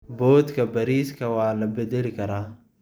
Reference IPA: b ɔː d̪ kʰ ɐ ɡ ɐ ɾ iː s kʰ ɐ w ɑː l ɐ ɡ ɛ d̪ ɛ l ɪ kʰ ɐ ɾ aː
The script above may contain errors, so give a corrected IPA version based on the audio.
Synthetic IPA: b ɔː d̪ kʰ ɐ b ɐ ɾ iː s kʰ ɐ w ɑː l ɐ b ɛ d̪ ɛ l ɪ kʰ ɐ ɾ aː